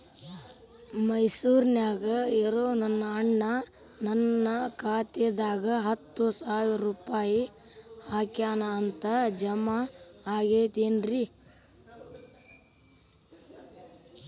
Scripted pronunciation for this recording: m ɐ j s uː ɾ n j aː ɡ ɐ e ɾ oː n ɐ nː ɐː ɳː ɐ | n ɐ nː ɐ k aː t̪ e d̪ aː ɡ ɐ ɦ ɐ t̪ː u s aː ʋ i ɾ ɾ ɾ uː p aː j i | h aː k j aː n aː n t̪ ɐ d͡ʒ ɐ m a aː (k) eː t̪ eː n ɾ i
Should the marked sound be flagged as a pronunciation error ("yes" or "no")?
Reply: yes